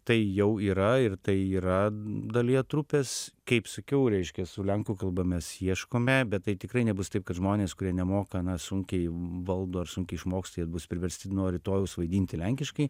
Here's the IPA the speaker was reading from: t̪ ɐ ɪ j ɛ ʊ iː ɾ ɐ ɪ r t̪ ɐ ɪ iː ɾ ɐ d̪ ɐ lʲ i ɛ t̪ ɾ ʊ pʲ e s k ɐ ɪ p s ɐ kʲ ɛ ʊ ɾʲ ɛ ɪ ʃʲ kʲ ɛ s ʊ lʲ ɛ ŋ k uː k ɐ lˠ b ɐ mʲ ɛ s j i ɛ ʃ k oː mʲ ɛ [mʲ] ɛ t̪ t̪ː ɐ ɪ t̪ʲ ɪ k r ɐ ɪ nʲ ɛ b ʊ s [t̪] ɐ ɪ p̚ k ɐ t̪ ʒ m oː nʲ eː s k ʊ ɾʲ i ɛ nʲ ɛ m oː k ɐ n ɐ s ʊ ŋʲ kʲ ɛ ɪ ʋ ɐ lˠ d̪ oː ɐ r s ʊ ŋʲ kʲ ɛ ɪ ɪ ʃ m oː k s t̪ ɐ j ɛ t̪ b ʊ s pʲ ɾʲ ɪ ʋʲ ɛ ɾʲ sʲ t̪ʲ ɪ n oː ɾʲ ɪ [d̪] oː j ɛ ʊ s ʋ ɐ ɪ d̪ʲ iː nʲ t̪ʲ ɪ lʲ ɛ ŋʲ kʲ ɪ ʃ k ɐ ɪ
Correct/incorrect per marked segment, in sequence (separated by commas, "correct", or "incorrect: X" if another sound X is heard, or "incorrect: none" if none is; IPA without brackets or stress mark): incorrect: bʲ, correct, incorrect: t̪